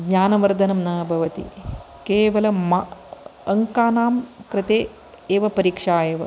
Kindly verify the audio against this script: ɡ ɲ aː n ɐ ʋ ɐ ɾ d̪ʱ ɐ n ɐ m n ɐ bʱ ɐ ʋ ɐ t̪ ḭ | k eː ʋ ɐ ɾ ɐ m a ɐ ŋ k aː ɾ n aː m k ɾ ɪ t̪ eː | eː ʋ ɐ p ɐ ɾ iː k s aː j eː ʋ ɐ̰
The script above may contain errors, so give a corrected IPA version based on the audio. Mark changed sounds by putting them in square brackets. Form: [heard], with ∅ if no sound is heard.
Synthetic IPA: ɡ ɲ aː n ɐ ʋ ɐ ɾ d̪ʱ ɐ n ɐ m n ɐ bʱ ɐ ʋ ɐ t̪ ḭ | k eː ʋ ɐ [l] ɐ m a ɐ ŋ k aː [∅] n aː m k ɾ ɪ t̪ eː | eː ʋ ɐ p ɐ ɾ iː k [ʂ] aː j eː ʋ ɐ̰